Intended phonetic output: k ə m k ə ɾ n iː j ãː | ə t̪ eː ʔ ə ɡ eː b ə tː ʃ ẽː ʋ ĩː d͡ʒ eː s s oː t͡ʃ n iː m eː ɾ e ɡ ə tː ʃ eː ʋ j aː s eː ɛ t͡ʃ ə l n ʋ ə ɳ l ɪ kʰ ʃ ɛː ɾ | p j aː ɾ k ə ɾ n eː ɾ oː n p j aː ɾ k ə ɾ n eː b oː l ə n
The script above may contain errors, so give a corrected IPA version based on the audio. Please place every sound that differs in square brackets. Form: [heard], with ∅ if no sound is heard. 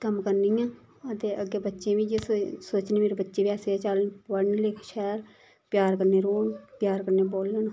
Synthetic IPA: k ə m k ə ɾ n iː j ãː | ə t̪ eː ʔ ə ɡ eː b ə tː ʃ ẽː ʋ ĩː d͡ʒ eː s s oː t͡ʃ n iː m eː ɾ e [b] ə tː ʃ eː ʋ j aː s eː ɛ t͡ʃ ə l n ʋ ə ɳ l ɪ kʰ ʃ ɛː ɾ | p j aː ɾ k ə ɾ n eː ɾ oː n p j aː ɾ k ə ɾ n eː b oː l ə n